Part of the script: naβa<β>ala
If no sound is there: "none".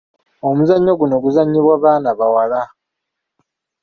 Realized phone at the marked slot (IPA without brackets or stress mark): w